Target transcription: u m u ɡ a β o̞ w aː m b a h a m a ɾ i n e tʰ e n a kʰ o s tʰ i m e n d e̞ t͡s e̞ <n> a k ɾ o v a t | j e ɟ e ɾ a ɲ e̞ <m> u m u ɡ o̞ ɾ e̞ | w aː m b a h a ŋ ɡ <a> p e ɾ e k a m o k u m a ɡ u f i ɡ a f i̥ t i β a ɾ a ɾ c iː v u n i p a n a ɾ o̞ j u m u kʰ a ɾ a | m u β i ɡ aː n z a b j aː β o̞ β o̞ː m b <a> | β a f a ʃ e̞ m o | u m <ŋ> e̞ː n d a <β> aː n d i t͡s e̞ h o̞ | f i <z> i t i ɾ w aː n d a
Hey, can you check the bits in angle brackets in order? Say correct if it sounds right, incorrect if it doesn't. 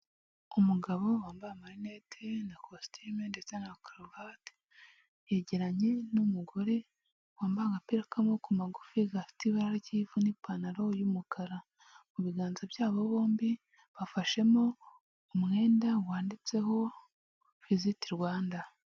correct, incorrect, correct, incorrect, correct, incorrect, correct

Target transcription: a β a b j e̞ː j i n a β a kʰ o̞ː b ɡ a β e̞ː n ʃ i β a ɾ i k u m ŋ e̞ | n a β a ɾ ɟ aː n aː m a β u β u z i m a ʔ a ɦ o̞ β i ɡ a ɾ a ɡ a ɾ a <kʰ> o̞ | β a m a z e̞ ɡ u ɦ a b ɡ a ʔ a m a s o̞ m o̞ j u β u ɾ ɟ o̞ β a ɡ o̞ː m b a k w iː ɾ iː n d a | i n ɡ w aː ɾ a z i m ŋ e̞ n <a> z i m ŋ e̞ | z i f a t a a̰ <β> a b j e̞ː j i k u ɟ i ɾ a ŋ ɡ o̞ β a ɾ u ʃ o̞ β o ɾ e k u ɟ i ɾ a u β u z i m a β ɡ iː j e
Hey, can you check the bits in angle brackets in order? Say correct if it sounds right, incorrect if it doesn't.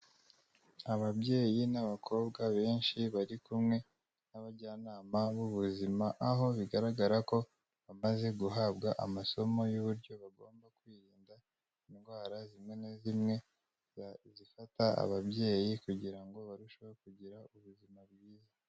incorrect, incorrect, correct

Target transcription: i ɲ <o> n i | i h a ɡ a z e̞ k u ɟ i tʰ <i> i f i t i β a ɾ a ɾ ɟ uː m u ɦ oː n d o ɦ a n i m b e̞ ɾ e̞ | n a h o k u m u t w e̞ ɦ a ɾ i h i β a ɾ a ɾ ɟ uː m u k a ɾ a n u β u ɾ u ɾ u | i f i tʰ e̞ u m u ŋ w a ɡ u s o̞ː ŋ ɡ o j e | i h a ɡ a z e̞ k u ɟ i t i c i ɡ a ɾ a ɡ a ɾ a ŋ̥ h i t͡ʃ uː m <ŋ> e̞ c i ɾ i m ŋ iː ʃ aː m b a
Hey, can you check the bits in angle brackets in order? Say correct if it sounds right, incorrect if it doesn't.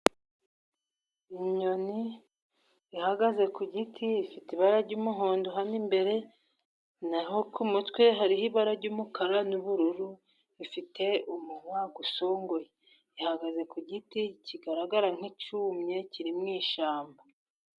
correct, correct, incorrect

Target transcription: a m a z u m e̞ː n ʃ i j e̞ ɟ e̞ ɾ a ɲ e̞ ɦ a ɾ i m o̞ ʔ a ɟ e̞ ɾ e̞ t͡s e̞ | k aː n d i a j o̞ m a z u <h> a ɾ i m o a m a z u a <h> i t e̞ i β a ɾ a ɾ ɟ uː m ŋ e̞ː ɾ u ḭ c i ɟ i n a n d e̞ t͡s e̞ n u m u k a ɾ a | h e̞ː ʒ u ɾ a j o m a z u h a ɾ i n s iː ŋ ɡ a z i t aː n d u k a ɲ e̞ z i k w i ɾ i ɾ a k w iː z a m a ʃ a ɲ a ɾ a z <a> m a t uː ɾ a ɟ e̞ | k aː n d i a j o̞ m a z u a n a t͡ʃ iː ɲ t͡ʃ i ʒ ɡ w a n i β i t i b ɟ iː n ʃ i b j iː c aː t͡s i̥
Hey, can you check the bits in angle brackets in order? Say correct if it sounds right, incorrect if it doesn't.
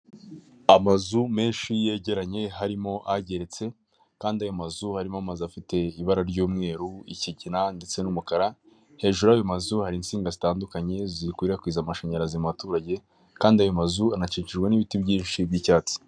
correct, incorrect, incorrect

